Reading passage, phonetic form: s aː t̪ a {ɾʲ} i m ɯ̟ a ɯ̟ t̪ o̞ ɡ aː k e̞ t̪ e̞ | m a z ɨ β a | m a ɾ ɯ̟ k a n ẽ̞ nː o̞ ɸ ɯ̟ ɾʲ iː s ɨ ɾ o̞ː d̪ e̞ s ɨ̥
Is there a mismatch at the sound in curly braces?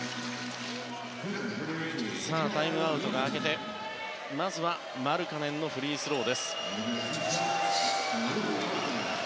yes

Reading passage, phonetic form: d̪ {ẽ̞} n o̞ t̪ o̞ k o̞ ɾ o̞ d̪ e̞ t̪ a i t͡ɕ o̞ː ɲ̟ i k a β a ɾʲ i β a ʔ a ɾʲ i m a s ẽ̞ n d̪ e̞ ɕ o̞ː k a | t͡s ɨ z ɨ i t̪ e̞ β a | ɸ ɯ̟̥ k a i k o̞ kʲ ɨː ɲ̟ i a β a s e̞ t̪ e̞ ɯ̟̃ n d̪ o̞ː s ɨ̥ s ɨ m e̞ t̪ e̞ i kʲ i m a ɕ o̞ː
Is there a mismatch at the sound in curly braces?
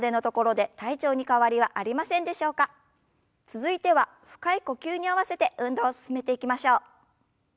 yes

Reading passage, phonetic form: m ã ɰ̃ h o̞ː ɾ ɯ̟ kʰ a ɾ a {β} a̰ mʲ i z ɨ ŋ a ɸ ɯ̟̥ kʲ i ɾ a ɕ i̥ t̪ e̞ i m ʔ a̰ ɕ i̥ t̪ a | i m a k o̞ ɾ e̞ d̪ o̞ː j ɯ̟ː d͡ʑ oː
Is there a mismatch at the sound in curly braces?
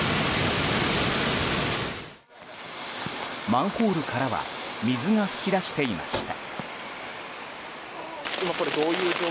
no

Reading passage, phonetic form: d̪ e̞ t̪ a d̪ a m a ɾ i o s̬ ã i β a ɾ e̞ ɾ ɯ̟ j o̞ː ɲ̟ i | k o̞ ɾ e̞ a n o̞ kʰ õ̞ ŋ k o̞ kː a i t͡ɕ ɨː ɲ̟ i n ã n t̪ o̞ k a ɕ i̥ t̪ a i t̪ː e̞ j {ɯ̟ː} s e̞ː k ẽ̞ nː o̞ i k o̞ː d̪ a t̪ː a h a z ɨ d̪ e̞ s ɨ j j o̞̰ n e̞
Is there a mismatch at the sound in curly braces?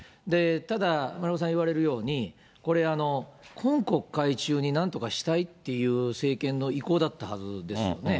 no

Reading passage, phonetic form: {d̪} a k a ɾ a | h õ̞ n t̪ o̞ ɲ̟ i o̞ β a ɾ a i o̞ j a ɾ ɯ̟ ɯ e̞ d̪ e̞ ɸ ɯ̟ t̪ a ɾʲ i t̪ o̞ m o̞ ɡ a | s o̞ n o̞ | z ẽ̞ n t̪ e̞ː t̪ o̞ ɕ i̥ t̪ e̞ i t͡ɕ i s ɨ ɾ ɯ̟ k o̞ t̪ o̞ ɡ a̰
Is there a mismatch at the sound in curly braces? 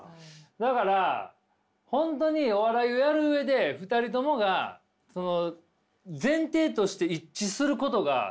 no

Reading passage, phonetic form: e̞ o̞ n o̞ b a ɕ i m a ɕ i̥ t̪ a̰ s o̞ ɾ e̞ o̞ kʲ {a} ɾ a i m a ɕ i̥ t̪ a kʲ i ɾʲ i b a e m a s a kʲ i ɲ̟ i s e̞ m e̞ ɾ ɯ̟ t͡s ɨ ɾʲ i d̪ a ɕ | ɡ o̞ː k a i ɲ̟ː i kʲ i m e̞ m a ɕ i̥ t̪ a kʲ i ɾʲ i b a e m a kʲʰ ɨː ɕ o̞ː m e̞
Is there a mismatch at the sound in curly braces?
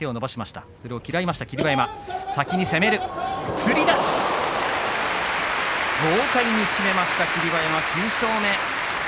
yes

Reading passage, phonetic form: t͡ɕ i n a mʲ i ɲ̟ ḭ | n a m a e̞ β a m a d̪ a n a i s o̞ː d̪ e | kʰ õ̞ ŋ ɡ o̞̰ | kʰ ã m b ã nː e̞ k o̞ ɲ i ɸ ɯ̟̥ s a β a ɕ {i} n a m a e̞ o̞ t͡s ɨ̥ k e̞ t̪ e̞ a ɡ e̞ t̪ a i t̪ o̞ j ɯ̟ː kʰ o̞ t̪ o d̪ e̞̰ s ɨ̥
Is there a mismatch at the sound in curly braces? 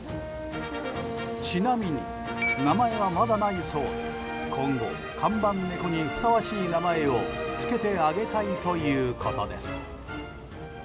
yes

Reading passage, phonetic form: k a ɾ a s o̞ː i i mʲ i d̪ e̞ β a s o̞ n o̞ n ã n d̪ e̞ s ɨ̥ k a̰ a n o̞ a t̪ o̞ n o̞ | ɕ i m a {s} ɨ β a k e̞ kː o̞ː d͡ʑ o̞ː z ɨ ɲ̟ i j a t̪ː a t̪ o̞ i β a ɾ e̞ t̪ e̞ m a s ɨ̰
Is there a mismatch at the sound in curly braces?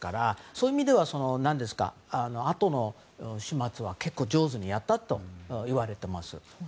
yes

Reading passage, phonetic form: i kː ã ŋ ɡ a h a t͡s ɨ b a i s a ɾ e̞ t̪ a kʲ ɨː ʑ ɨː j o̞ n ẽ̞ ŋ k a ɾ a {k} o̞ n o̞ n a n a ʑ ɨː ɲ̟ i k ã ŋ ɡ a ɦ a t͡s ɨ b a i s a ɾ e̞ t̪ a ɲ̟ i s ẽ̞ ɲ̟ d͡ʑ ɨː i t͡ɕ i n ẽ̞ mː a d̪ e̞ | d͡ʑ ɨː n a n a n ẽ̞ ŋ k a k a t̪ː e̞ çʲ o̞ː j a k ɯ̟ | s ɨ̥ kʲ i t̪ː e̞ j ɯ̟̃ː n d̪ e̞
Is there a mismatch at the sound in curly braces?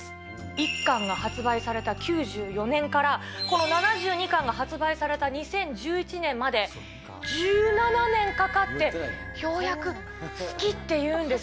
no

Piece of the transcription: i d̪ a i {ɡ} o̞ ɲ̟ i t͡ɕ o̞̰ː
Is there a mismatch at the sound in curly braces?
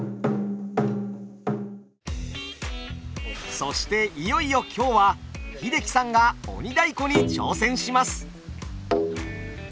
yes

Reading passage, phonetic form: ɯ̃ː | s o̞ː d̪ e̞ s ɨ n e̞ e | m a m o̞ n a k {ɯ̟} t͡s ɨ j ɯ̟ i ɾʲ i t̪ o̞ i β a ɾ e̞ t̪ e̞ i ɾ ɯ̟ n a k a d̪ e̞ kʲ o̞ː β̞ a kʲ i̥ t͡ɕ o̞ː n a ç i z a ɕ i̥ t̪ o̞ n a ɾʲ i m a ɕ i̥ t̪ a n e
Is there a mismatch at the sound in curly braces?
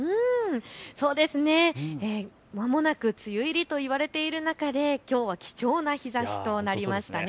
no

